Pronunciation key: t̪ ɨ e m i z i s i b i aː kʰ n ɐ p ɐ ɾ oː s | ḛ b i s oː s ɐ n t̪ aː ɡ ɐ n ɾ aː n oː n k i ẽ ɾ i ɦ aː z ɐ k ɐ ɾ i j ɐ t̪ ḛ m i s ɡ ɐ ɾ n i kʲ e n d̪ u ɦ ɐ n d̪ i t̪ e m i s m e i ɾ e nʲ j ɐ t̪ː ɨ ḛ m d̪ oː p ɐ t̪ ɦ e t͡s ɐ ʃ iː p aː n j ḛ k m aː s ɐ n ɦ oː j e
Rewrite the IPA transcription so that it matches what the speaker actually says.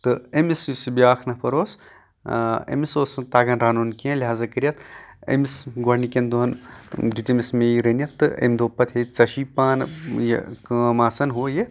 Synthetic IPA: t̪ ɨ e m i s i s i b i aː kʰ n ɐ p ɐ ɾ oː s | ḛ m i s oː s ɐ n t̪ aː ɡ ɐ n ɾ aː n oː n k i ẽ l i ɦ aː z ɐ k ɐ ɾ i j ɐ t̪ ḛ m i s ɡ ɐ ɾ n i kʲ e n d̪ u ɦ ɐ n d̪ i t̪ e m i s m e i ɾ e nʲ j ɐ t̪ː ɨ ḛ m d̪ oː p ɐ t̪ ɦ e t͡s ɐ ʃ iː p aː n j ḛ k m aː s ɐ n ɦ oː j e

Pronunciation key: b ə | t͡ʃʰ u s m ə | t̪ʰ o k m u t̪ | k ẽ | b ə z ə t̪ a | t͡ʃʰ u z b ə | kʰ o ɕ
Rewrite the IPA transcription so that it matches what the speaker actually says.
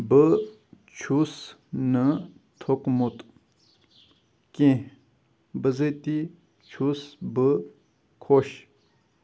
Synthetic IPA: b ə | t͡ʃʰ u s n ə | t̪ʰ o k m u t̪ | k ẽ | b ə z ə t̪ i | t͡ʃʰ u s b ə | kʰ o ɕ

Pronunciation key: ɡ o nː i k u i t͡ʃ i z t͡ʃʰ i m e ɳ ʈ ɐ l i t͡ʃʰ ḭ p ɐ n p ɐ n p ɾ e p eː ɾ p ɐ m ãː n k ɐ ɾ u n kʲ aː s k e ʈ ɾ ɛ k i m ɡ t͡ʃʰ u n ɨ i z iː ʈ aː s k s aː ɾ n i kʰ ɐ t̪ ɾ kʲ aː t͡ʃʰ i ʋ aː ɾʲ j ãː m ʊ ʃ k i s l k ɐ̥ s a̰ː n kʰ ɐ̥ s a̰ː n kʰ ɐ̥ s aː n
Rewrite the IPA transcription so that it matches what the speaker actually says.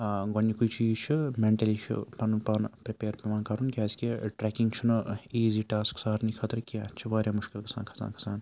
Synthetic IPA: ɡ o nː i k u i t͡ʃ iː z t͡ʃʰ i m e ɳ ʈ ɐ l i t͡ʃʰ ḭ p ɐ n p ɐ n p ɾ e p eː ɾ p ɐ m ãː n k ɐ ɾ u n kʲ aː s k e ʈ ɾ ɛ k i ŋ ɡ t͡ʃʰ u n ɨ iː z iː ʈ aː s k s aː ɾ n i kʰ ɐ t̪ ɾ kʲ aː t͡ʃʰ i ʋ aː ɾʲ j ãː m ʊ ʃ k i l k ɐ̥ s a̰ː n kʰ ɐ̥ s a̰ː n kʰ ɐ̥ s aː n

